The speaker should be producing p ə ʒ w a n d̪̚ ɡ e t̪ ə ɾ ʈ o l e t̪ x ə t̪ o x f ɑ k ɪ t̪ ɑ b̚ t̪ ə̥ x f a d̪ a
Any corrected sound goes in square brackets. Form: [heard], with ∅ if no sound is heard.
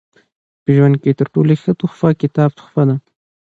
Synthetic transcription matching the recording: p ə ʒ w a n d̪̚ [k] e t̪ ə ɾ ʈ o l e [∅] x ə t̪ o x f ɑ k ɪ t̪ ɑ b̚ t̪ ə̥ x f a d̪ a